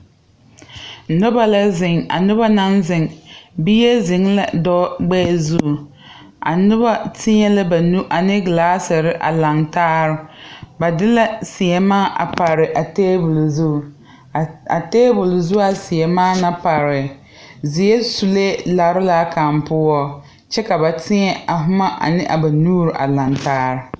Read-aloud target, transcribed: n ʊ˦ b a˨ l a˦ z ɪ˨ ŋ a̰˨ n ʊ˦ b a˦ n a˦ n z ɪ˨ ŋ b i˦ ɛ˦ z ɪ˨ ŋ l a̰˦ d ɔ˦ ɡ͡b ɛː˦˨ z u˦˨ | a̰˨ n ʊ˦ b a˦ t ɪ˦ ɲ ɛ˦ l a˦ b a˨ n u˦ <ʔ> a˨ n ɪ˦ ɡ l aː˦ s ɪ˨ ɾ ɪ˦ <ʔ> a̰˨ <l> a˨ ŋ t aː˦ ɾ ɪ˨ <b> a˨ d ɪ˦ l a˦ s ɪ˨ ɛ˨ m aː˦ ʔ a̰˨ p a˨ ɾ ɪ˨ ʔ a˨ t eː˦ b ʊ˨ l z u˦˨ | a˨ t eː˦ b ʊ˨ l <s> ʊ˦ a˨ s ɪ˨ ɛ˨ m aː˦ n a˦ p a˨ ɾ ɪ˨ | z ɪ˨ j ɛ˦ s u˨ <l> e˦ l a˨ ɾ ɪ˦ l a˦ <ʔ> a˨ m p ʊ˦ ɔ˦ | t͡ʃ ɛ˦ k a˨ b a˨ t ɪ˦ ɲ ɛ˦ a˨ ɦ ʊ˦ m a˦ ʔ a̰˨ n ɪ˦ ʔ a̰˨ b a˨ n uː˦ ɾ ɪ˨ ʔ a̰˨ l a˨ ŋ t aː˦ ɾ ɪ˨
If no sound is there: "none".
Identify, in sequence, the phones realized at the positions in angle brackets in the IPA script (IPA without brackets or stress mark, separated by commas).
ʔ, ʔ, l, b, z, l, k